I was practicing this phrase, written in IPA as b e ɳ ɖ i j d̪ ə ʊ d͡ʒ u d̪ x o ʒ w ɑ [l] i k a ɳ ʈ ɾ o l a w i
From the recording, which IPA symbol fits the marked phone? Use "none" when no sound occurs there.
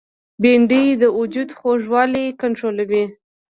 l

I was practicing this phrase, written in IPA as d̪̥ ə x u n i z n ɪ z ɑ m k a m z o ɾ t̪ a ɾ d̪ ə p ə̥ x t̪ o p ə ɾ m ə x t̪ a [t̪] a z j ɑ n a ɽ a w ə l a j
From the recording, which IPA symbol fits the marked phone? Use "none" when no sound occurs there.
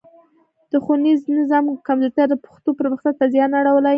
t̪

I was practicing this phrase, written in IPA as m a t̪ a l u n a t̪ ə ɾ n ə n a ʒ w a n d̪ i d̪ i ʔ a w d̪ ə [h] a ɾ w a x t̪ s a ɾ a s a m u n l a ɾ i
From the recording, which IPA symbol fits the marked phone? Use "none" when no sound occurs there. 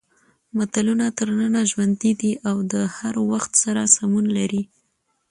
h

